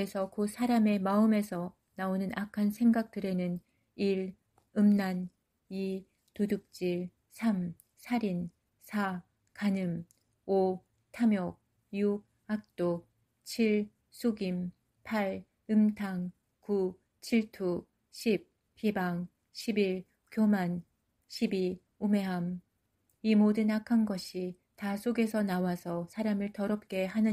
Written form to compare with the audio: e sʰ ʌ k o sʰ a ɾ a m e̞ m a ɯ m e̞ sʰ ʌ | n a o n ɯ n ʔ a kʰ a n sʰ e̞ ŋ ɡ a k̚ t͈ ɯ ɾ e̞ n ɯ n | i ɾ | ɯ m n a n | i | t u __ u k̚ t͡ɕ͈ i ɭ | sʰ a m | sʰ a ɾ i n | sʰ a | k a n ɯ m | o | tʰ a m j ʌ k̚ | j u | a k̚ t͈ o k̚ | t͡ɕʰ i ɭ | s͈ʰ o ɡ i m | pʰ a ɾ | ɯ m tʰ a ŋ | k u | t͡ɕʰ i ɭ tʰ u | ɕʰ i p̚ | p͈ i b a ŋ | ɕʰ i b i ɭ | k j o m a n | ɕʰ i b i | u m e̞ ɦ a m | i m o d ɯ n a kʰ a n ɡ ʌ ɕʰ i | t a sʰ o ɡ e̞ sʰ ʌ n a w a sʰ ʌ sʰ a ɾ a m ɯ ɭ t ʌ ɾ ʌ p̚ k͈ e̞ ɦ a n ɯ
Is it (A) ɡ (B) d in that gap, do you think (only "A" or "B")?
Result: B